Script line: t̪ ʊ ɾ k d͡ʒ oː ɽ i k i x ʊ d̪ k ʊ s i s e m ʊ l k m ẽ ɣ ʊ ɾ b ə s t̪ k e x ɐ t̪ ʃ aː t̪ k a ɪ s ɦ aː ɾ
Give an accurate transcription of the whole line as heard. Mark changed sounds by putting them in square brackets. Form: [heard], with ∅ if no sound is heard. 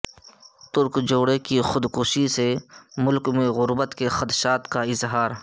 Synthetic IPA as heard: t̪ ʊ ɾ k d͡ʒ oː ɽ [e] k i x ʊ d̪ k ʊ [ʃ] i s e m ʊ l k m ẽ ɣ ʊ ɾ b ə [∅] t̪ k e x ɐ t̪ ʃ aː t̪ k a ɪ [z] ɦ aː ɾ